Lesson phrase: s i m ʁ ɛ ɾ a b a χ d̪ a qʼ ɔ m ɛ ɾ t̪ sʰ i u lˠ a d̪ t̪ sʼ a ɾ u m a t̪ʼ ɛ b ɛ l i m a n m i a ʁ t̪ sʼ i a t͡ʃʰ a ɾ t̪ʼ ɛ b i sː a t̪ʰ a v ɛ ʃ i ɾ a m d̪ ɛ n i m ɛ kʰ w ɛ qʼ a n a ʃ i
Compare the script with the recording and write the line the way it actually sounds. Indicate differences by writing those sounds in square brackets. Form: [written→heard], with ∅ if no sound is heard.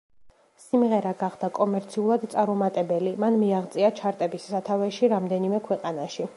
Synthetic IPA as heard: s i m ʁ ɛ ɾ a [b→ɡ] a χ d̪ a [qʼ→kʼ] ɔ m ɛ ɾ t̪ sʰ i u lˠ a d̪ t̪ sʼ a ɾ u m a t̪ʼ ɛ b ɛ l i m a n m i a ʁ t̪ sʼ i a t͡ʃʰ a ɾ t̪ʼ ɛ b i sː a t̪ʰ a v ɛ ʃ i ɾ a m d̪ ɛ n i m ɛ kʰ w ɛ qʼ a n a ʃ i